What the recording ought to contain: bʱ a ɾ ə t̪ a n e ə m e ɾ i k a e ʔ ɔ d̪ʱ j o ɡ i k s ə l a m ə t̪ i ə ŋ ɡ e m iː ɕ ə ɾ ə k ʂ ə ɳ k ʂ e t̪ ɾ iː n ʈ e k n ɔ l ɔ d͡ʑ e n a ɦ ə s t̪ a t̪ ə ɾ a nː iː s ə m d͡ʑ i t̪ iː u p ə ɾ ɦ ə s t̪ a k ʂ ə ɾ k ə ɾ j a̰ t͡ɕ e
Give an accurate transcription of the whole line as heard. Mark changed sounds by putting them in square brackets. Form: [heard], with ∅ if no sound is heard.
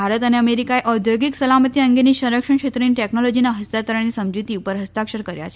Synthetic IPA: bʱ a ɾ ə t̪ a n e ə m e ɾ i k a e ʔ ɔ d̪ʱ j o ɡ i k s ə l a m ə t̪ i ə ŋ ɡ e [n] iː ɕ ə ɾ ə k ʂ ə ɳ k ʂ e t̪ ɾ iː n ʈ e k n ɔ l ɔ d͡ʑ [i] n a ɦ ə s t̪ a t̪ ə ɾ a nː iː s ə m d͡ʑ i t̪ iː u p ə ɾ ɦ ə s t̪ a k ʂ ə ɾ k ə ɾ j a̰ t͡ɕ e